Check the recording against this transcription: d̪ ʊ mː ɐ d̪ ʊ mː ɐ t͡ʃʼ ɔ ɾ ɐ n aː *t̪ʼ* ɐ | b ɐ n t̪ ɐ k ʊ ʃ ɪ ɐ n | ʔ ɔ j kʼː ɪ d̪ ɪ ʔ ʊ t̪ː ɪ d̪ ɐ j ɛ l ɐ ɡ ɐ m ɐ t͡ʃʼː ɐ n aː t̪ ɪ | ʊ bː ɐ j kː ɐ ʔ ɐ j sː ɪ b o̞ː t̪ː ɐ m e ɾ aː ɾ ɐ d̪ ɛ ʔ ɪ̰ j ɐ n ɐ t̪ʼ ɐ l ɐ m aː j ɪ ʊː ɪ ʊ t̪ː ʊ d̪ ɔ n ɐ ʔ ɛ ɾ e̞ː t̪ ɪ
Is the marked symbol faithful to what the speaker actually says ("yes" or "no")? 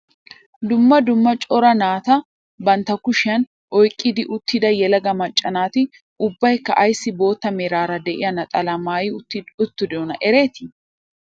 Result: no